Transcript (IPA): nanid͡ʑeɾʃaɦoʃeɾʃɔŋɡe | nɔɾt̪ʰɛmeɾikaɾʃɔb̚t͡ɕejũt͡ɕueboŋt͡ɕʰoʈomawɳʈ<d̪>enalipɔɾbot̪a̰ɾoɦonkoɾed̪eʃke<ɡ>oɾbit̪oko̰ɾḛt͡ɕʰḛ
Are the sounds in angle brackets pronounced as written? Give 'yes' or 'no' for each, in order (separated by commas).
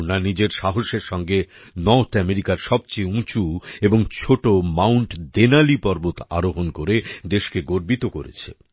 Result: yes, yes